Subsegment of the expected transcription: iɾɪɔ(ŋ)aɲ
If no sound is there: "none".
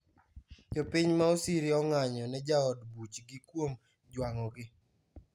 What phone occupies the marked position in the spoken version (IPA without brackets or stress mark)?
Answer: ŋ